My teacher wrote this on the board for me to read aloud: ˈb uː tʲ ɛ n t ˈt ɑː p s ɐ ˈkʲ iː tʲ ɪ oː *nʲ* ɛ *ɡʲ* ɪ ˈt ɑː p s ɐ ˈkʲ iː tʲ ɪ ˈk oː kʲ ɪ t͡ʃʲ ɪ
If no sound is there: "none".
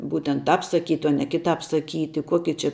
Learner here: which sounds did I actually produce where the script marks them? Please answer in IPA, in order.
nʲ, kʲ

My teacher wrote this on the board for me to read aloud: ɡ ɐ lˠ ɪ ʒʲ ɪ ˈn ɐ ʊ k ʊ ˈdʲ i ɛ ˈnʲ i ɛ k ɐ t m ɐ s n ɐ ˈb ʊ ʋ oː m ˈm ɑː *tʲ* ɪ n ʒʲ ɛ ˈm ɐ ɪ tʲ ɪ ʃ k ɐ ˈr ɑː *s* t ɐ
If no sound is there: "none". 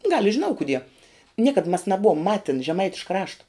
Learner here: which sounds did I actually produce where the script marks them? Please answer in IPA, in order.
tʲ, ʃ

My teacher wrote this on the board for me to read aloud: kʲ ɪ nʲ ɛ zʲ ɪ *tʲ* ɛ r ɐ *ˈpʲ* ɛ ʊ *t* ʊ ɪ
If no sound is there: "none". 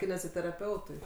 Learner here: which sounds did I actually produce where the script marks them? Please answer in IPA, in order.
tʲ, pʲ, t

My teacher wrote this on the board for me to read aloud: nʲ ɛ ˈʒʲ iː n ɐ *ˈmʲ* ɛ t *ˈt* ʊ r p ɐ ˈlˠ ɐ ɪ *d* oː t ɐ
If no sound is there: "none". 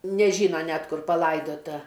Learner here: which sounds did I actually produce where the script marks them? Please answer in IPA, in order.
nʲ, k, d

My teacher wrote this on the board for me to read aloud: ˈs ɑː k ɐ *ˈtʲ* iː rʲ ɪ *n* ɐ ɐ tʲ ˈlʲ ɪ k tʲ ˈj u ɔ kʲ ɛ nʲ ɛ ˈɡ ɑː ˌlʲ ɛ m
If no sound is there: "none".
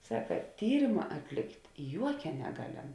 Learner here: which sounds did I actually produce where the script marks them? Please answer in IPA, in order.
tʲ, m

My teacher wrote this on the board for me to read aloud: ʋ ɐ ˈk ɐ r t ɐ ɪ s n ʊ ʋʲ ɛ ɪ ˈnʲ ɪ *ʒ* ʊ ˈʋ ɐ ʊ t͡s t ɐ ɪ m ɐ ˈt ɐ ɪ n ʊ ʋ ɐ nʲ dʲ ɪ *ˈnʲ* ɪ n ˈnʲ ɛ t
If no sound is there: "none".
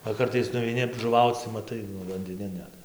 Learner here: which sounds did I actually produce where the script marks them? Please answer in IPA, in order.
ʒ, nʲ

